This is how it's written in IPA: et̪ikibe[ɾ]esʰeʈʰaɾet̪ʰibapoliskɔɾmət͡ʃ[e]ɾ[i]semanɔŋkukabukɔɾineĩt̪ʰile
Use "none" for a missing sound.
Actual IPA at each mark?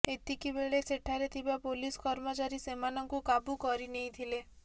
ɭ, a, i

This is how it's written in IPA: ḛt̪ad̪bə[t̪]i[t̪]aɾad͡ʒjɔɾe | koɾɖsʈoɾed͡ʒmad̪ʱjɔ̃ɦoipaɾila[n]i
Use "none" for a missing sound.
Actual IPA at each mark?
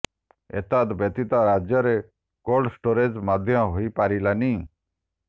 t̪, t̪, n

